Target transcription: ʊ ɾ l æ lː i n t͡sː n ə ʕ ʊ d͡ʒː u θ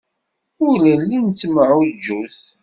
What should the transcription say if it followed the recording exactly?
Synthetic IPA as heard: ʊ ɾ l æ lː i n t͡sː m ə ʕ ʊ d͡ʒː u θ